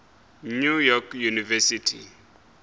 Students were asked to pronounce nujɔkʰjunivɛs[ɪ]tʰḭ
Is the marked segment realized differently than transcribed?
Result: yes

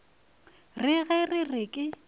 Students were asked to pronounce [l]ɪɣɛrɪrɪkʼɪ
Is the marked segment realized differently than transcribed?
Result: yes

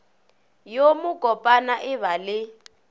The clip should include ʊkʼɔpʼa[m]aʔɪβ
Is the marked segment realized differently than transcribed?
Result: yes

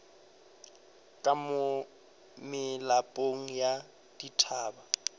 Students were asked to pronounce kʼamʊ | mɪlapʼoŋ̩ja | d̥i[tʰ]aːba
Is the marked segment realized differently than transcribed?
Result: no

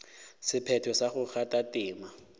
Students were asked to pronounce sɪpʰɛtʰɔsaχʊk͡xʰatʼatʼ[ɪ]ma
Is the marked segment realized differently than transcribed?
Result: yes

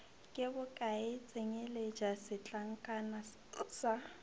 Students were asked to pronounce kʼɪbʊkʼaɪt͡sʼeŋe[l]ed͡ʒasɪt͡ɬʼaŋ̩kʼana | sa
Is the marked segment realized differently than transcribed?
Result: no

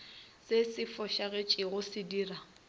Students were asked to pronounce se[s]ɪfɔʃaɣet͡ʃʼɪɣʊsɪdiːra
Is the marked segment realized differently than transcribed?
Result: no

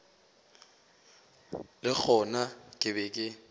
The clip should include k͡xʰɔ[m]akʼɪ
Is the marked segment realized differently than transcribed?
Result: yes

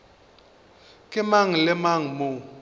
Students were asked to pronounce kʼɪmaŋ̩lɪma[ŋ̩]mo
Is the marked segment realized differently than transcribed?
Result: no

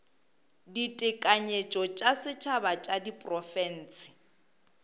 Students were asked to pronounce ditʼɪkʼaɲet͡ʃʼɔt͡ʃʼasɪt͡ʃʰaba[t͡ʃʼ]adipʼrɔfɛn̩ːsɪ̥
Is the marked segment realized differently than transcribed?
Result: no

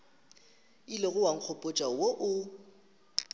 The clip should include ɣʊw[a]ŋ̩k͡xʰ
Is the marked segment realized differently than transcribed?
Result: no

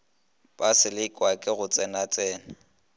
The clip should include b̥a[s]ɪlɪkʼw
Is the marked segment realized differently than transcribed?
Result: no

